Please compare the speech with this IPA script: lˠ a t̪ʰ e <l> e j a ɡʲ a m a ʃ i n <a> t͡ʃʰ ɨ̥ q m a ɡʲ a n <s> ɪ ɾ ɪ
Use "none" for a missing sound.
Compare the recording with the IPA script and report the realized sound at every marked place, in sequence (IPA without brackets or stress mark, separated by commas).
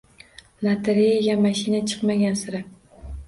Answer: ɾ, a, s